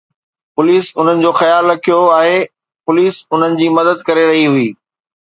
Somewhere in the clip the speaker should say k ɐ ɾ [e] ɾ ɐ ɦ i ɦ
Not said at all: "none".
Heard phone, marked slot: e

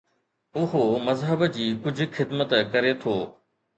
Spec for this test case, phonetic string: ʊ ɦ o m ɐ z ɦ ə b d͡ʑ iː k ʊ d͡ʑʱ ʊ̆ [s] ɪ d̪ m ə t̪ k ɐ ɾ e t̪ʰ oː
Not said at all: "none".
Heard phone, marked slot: x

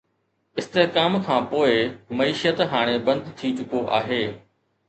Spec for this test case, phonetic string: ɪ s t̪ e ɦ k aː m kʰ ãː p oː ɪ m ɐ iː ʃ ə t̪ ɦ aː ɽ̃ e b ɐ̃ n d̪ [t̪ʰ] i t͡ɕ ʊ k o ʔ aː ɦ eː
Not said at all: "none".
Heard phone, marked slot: t̪ʰ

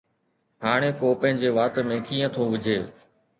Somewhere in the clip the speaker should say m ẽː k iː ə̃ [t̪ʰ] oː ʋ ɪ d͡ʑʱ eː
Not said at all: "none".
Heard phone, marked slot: t̪ʰ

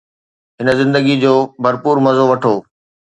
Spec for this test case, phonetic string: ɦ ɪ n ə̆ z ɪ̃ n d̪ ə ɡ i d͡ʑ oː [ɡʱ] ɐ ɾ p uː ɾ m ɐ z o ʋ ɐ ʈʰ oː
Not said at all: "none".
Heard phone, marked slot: bʱ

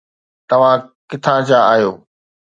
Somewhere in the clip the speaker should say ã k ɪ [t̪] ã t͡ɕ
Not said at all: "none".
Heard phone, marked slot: t̪ʰ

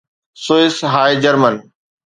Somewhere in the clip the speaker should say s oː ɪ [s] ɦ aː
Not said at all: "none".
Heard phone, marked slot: s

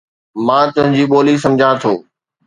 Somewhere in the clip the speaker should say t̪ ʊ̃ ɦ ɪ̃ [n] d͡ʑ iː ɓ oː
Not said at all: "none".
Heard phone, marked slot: ɲ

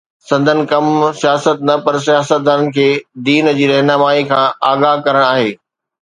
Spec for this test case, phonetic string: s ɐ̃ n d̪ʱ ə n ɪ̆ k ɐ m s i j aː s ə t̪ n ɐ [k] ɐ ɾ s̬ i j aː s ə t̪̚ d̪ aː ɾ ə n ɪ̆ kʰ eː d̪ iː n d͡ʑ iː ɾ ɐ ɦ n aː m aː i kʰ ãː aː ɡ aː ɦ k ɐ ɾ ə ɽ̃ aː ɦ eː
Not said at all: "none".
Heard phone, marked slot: p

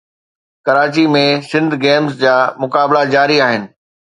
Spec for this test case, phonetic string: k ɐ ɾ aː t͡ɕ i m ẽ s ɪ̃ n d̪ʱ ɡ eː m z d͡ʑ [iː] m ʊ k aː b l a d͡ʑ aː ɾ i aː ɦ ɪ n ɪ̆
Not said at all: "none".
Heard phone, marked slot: aː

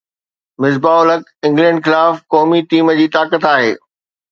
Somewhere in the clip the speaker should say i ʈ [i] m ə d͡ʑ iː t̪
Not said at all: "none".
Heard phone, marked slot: iː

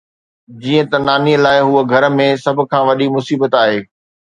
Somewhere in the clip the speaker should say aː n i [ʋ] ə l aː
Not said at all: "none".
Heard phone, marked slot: none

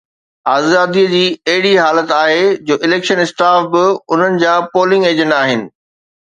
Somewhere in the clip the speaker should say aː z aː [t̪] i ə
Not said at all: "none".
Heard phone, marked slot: d̪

